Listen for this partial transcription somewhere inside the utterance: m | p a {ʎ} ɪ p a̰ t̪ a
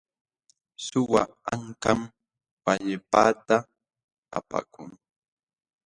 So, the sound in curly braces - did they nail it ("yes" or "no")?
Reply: yes